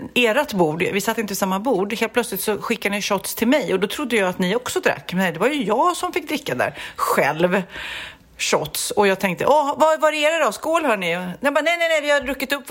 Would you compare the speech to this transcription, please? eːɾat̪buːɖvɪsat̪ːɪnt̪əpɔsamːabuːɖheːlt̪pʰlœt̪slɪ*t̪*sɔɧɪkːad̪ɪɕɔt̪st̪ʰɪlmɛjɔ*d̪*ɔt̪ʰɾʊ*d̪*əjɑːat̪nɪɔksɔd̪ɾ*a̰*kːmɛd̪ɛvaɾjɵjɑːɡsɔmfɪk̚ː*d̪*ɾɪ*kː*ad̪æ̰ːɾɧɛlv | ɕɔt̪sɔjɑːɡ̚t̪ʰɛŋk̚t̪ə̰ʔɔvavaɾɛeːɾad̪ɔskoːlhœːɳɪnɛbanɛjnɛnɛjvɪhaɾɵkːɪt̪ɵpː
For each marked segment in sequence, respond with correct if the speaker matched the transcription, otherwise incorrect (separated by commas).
correct, correct, incorrect, correct, correct, correct